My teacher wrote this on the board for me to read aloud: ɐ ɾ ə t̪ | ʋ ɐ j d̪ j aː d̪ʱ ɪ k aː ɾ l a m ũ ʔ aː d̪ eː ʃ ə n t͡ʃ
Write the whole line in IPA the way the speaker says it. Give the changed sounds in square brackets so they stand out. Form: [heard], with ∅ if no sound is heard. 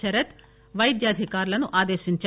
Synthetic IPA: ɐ ɾ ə t̪ | ʋ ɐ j d̪ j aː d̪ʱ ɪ k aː ɾ l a [n] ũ ʔ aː d̪ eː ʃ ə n t͡ʃ